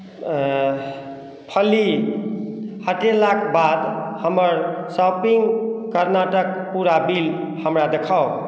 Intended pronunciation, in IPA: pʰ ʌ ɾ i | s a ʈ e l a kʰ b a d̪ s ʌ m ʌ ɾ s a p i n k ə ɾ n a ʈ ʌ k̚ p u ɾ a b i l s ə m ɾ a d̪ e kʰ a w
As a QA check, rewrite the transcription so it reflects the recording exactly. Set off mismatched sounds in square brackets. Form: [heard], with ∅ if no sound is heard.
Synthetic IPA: pʰ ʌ [l] i | [h] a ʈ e l a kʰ b a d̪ [h] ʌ m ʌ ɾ s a p i [ŋ] k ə ɾ n a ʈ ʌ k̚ p u ɾ a b i l [h] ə m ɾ a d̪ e kʰ a w